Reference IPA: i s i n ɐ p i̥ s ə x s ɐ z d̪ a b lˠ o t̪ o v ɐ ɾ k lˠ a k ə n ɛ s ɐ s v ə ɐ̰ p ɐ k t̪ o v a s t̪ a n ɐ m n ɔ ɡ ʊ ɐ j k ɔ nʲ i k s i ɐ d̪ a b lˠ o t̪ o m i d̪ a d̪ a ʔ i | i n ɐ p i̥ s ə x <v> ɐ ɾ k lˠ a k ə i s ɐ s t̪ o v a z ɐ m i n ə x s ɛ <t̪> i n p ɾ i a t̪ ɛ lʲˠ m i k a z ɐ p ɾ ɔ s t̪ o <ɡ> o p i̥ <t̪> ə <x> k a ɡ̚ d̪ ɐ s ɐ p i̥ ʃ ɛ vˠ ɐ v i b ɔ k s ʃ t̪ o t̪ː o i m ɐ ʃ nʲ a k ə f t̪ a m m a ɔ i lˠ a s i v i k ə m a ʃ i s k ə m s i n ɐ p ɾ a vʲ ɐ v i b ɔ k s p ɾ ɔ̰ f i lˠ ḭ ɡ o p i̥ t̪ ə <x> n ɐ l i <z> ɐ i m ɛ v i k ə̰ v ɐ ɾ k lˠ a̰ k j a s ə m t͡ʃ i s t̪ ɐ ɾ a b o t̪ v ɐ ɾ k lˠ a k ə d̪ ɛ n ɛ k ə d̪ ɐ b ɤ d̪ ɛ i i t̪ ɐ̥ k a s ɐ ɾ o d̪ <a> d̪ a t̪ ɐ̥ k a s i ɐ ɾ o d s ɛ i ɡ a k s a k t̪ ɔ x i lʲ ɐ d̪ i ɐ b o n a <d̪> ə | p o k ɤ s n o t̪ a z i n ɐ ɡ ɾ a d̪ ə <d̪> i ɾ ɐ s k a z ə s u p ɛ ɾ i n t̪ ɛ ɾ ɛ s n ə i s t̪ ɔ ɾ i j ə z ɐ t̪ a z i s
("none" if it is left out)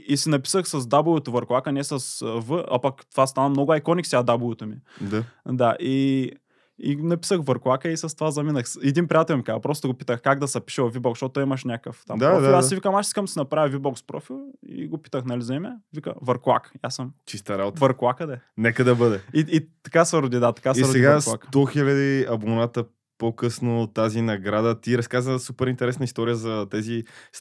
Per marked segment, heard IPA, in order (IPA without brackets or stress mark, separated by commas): v, d̪, ɡ, t̪, x, x, z, i, t̪, t̪